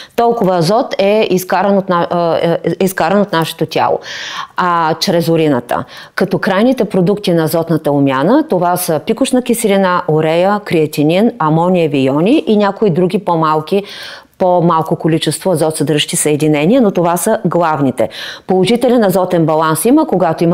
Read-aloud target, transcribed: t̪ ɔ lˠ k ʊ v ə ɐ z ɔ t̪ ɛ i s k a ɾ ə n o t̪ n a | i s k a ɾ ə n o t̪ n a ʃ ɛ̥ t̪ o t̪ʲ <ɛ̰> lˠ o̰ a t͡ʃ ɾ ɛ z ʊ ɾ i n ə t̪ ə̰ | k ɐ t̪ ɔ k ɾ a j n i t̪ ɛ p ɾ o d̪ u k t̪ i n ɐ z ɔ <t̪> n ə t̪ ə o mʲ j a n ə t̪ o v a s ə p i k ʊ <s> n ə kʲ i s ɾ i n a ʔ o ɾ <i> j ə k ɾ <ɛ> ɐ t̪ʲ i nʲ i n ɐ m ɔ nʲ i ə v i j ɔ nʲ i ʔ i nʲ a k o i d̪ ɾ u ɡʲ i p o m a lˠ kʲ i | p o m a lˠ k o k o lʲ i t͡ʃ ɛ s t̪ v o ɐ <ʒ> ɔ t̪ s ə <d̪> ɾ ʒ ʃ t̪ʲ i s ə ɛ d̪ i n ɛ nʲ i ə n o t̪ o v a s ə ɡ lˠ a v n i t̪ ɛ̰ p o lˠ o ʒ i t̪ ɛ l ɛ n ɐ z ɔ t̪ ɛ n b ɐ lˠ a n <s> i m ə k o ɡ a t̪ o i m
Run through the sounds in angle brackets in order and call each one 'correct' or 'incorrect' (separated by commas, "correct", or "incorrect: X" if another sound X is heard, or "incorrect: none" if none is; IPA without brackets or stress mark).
incorrect: a̰, correct, incorrect: ʃ, incorrect: ɛ, incorrect: i, incorrect: z, correct, correct